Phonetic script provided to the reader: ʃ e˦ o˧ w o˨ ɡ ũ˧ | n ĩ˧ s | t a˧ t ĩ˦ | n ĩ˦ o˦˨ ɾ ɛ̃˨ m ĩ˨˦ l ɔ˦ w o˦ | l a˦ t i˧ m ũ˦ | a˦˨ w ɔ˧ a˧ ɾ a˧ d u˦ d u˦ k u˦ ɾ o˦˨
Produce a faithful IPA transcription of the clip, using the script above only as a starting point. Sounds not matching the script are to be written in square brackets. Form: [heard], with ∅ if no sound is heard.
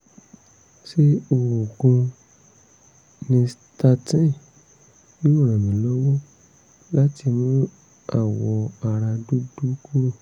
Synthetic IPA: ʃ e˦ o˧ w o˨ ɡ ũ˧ | n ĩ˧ s | t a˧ t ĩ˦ | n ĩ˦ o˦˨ ɾ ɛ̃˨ m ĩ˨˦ l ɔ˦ w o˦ | l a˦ t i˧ m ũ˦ | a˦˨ w ɔ˧ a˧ ɾ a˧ d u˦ d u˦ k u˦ ɾ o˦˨